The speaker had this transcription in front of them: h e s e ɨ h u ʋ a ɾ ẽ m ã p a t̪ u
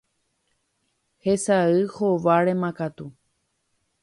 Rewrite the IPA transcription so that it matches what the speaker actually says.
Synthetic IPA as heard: h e s a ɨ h o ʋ a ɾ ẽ m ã k a t̪ u